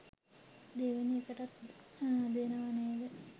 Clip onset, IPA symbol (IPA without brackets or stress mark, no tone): d̪